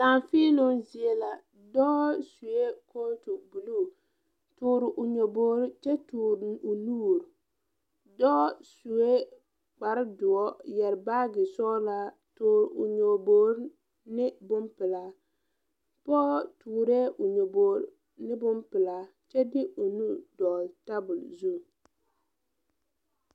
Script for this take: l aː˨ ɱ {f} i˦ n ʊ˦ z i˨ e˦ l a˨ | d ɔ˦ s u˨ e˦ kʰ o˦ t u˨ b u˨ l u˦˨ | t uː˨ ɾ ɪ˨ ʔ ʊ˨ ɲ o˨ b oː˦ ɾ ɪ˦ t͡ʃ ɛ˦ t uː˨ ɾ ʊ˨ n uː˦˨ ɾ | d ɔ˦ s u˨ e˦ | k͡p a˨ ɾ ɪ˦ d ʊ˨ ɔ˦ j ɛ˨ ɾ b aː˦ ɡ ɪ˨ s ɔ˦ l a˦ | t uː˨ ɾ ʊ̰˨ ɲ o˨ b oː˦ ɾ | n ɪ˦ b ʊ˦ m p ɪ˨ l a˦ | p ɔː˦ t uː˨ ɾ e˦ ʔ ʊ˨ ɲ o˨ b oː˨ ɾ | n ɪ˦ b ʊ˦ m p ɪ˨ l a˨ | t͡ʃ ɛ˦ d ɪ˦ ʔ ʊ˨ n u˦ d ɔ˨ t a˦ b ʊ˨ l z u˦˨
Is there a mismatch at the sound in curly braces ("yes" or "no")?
no